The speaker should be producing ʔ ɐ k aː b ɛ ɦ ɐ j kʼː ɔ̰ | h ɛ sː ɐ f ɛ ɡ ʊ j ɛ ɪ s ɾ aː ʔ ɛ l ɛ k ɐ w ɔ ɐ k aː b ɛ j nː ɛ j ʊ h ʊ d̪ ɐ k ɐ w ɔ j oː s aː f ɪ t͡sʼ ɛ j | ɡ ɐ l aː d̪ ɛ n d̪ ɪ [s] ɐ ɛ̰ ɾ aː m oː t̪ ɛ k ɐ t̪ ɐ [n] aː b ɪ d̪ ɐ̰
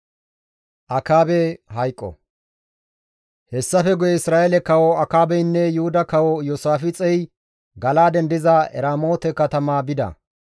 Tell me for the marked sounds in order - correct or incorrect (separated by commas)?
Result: incorrect, incorrect